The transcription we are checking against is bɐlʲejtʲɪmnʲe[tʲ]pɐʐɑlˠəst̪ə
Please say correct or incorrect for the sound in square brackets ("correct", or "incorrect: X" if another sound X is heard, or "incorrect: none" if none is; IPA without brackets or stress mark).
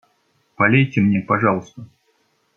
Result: incorrect: none